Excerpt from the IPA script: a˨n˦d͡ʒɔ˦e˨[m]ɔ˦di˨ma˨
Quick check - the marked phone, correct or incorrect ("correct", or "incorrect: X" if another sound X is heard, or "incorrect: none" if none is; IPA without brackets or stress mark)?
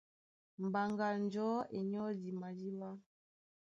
incorrect: ɲ